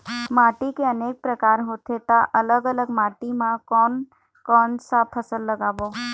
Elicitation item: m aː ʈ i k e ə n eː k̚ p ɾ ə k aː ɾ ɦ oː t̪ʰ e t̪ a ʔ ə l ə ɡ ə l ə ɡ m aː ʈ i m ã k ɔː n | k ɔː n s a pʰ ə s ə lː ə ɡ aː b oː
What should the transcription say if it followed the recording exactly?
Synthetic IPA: m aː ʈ i k e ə n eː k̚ p ɾ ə k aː ɾ ɦ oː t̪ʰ e t̪ a ʔ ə l ə ɡ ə l ə ɡ m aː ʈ i m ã k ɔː n | k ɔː n s a pʰ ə s ə lː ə ɡ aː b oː